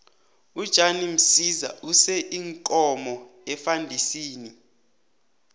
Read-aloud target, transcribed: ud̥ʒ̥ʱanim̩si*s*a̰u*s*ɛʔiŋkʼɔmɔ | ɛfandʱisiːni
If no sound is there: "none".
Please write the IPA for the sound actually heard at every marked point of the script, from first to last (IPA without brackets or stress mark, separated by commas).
z, s